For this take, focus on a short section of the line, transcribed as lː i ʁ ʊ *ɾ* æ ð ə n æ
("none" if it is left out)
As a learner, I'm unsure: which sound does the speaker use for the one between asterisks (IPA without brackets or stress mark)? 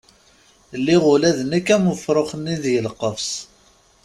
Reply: l